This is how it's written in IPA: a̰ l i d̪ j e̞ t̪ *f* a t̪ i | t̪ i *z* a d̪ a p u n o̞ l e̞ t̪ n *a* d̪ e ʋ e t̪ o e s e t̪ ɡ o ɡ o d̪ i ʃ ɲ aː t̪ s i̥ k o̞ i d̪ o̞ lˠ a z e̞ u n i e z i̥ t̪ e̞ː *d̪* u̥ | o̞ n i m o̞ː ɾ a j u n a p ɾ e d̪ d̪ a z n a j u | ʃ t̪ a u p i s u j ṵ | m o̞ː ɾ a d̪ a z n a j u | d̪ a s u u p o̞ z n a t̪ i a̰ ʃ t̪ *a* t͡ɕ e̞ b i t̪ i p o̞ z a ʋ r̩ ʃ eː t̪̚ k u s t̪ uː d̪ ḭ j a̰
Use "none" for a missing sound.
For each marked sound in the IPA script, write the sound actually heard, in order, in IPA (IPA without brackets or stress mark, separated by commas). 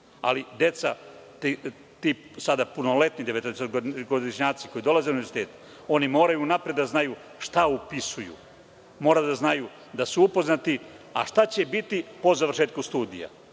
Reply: s, s, i, t̪, a